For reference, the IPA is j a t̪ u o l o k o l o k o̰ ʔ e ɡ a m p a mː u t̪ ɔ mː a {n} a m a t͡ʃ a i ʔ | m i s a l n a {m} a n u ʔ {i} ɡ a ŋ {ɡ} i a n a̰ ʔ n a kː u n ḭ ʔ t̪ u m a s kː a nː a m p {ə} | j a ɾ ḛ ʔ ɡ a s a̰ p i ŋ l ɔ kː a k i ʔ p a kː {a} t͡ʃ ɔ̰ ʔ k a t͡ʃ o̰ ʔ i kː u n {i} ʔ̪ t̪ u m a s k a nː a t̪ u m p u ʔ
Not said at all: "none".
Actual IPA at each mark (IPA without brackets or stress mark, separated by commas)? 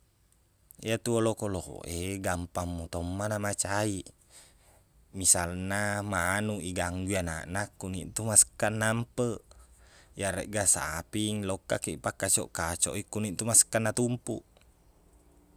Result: n, m, i, ɡ, ə, a, i